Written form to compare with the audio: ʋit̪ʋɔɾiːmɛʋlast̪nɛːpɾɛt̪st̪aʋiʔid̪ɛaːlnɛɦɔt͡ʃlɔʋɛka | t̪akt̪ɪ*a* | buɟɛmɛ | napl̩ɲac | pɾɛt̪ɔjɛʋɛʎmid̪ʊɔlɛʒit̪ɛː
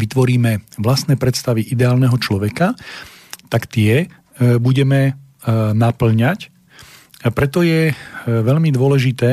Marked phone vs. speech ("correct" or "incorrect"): incorrect